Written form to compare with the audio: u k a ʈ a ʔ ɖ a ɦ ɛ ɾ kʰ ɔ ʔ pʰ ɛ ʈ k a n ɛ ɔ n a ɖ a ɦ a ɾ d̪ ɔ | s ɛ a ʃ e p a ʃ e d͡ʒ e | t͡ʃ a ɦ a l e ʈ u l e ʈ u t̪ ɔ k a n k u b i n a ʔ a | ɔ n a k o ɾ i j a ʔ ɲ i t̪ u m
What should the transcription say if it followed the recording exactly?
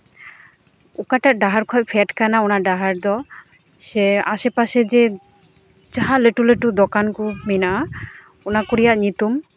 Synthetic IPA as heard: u k a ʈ a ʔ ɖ a ɦ a ɾ kʰ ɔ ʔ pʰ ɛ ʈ k a n a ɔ n a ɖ a ɦ a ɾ d̪ ɔ | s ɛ a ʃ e p a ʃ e d͡ʒ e | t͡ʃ a ɦ a l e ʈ u l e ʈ u d̪ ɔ k a n k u m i n a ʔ a | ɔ n a k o ɾ i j a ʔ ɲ i t̪ u m

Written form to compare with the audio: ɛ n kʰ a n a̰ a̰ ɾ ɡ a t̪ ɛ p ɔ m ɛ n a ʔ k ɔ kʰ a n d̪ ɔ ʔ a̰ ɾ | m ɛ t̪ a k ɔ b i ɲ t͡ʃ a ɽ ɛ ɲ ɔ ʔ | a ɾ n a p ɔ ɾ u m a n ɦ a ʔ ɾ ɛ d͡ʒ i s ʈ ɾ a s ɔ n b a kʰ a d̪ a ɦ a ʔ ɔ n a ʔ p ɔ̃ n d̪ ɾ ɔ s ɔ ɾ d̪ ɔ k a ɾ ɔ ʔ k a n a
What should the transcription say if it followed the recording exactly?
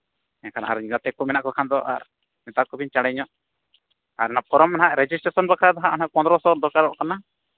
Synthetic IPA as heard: ɛ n kʰ a n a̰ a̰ ɾ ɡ a t̪ ɛ k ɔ m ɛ n a ʔ k ɔ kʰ a n d̪ ɔ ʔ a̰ ɾ | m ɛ t̪ a k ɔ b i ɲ t͡ʃ a ɽ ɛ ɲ ɔ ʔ | a ɾ n a p ɔ ɾ ɔ m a n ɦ a ʔ ɾ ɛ d͡ʒ i s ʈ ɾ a s ɔ n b a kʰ a d̪ a ɦ a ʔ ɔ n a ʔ p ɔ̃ n d̪ ɾ ɔ s ɔ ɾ d̪ ɔ k a ɾ ɔ ʔ k a n a

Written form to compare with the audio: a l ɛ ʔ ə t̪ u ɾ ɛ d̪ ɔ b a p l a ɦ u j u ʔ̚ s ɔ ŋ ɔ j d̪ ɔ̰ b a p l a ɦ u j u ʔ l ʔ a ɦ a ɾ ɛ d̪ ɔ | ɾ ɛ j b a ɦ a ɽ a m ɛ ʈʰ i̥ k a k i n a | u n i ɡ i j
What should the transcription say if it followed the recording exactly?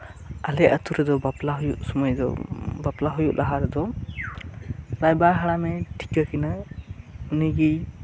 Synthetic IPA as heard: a l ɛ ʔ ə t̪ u ɾ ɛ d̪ ɔ b a p l a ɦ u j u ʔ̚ s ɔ m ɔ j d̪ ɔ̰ b a p l a ɦ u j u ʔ l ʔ a ɦ a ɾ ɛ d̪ ɔ | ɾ a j b a ɦ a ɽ a m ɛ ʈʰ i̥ k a k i n a | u n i ɡ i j

